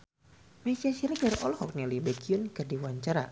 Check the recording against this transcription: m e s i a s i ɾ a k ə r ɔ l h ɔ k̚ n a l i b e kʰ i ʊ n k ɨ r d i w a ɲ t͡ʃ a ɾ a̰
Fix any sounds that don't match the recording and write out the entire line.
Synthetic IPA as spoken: m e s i a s i ɾ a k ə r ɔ l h ɔ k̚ n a l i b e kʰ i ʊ n k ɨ r d i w a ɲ t͡ʃ a ɾ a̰